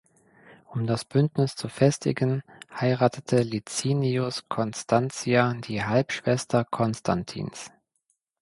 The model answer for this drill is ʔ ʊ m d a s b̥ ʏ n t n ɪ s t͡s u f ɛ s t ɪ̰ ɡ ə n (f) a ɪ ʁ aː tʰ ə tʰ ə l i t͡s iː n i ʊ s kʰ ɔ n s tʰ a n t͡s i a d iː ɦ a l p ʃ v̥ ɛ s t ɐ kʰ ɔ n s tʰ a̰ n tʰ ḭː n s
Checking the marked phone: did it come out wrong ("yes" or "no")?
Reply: yes